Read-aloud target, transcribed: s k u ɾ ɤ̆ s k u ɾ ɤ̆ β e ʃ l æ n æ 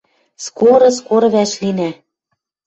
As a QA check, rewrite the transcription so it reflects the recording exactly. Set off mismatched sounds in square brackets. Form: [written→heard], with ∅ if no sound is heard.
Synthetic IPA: s k [u→o] ɾ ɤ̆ s k [u→o] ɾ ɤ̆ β [e→æ] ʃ l [æ→i] n æ